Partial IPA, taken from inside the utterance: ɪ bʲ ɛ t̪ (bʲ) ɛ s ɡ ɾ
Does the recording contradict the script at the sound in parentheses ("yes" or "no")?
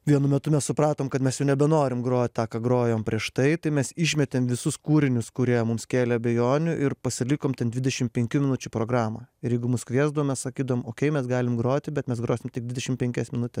yes